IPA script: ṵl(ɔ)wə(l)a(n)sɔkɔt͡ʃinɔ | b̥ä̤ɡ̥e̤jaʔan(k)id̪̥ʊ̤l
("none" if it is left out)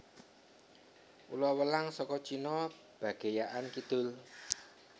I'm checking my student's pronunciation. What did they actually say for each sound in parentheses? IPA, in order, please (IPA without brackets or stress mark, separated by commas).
ɔ, l, ŋ, k